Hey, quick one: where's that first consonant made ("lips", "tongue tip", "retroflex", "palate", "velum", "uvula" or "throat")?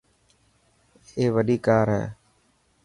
lips